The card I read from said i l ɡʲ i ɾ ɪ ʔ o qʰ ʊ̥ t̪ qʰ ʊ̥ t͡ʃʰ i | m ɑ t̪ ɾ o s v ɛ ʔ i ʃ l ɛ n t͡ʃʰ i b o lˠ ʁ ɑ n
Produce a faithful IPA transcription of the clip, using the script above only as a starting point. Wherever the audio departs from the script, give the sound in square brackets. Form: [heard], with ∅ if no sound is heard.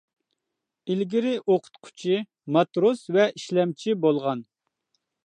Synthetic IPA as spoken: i l ɡʲ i ɾ ɪ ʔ o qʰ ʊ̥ t̪ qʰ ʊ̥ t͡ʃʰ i | m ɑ t̪ ɾ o s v ɛ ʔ i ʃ l ɛ [m] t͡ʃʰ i b o lˠ ʁ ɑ n